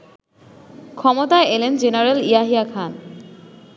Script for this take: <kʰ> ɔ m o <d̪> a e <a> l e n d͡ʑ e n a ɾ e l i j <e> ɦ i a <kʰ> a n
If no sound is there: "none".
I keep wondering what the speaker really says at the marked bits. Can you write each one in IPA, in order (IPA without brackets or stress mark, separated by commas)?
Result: kʰ, t̪, e, a, kʰ